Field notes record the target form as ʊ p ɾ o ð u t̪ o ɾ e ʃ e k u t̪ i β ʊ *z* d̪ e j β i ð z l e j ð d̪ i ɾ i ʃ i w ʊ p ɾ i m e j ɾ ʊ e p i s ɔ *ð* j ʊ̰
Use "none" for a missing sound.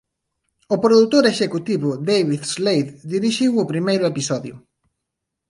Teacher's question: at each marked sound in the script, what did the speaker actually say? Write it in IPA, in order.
none, ð

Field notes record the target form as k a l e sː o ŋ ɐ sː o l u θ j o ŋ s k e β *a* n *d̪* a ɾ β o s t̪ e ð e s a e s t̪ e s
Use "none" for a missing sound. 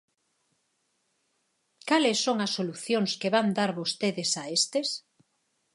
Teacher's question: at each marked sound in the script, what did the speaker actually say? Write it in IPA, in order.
a, d̪

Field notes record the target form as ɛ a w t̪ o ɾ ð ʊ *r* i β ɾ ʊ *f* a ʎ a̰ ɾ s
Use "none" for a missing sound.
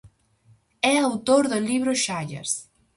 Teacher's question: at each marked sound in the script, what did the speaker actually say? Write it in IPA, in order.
l, ʃ

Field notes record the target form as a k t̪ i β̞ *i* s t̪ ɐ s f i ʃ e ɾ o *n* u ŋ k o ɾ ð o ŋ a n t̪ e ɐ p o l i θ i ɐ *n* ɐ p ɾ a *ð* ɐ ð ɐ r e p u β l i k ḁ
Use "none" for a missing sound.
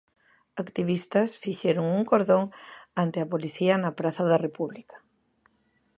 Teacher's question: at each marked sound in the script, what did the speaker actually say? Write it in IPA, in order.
i, ŋ, n, θ

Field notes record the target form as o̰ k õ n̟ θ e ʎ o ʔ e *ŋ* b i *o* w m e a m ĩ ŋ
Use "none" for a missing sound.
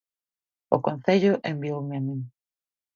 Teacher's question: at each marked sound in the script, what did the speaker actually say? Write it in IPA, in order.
m, o

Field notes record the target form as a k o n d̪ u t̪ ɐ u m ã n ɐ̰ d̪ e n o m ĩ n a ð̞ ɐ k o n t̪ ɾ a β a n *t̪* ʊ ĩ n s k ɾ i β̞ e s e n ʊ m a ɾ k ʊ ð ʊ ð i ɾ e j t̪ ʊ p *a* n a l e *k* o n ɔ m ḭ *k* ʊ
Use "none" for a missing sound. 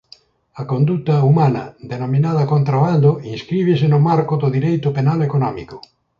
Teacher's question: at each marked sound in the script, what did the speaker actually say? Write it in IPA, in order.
d̪, e, k, k

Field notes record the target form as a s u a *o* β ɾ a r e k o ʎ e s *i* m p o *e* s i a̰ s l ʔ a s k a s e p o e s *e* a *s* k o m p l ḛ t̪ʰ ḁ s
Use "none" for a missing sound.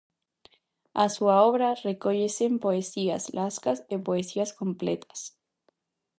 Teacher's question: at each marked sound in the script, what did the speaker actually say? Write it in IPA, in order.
o, e, e, i, s

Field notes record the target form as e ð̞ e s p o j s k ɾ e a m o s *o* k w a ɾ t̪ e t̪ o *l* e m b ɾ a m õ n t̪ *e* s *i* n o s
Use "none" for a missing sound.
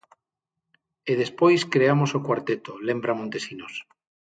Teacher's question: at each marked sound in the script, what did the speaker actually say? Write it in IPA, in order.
o, l, e, i

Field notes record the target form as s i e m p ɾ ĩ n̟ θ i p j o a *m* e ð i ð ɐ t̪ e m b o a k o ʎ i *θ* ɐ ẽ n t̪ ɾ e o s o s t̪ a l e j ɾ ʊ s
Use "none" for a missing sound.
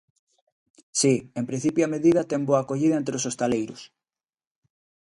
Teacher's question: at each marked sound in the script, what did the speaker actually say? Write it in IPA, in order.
m, ð

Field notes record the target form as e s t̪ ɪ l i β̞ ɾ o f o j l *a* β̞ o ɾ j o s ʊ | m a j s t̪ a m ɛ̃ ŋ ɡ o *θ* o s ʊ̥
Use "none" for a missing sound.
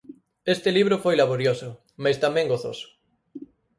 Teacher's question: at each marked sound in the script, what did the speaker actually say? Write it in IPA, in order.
a, θ

